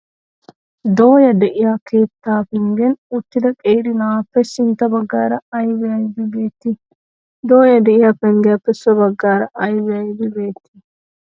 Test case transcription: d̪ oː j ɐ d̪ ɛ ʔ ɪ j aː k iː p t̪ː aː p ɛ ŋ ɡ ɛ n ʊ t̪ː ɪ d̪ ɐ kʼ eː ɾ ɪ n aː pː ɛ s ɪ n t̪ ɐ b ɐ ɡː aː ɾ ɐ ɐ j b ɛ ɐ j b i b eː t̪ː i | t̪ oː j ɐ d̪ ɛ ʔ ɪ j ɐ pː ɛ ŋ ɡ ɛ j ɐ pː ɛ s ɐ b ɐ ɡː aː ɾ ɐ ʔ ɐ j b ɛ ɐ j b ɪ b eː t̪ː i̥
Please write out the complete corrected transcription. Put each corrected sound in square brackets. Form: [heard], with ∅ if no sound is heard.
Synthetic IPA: d̪ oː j ɐ d̪ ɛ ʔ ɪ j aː k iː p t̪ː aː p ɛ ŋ ɡ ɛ n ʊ t̪ː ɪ d̪ ɐ kʼ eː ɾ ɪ n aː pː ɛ s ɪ n t̪ ɐ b ɐ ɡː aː ɾ ɐ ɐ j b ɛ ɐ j b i b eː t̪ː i | [d̪] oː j ɐ d̪ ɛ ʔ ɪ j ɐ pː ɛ ŋ ɡ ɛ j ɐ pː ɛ s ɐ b ɐ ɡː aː ɾ ɐ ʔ ɐ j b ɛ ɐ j b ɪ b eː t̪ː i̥